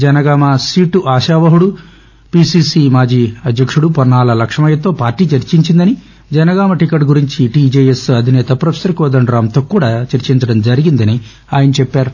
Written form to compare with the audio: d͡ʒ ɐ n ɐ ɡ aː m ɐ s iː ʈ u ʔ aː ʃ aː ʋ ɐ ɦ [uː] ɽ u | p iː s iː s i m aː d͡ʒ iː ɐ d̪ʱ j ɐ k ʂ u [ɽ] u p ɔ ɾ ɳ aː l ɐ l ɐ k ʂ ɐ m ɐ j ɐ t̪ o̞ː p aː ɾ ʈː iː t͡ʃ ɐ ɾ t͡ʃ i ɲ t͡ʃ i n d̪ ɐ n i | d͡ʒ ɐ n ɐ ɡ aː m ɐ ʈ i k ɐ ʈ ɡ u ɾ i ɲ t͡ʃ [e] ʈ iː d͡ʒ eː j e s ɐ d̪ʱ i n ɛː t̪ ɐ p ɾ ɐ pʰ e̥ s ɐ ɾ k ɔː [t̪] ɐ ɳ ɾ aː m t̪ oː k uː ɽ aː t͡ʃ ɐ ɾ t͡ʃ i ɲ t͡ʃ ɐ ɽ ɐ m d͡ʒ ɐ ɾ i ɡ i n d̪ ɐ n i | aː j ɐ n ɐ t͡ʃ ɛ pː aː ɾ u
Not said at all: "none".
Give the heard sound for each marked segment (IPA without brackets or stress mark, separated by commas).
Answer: u, ɽ, i, d̪